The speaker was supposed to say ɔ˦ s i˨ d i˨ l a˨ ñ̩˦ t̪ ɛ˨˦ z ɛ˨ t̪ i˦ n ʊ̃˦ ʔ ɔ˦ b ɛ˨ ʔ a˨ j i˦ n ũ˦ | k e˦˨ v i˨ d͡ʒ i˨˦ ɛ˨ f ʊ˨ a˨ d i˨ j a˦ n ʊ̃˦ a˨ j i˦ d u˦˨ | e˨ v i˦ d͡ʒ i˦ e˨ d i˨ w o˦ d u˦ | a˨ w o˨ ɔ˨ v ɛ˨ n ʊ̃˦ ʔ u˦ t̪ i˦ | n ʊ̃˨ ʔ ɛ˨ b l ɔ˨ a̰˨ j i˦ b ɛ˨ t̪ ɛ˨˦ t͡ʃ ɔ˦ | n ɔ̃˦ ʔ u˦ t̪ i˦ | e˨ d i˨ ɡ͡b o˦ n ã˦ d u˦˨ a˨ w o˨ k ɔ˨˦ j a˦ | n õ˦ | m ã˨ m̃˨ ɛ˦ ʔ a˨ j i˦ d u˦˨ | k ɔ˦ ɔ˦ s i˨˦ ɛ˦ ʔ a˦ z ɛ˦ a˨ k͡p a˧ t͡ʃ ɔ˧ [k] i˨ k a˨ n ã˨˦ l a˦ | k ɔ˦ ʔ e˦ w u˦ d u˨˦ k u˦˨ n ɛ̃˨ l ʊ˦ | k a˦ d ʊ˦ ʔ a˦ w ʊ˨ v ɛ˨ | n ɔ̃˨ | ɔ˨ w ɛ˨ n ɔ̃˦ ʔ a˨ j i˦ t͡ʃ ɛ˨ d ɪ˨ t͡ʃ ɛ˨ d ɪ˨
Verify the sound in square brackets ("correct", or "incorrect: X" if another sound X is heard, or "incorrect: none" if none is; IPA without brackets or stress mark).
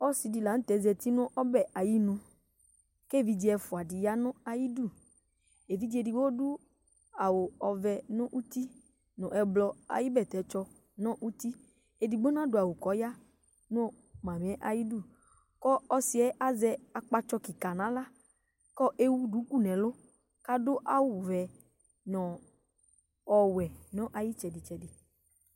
correct